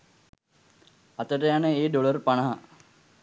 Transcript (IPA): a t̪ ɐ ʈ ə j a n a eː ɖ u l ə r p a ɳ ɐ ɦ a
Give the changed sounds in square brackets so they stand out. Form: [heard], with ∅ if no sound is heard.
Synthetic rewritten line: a t̪ [ə] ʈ ə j a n [ə] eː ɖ [o] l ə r p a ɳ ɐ ɦ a

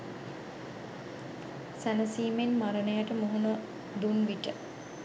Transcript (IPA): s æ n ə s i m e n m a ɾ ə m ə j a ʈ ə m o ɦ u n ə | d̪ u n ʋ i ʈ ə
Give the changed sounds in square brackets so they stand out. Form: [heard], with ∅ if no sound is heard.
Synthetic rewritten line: s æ n ə s [iː] m e n m a ɾ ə [n] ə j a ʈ ə m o ɦ u n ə | d̪ u n ʋ i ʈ ə

